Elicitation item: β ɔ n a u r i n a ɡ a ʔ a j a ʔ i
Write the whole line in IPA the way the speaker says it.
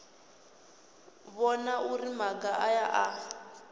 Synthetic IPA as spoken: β ɔ n a u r i m a ɡ a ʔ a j a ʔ a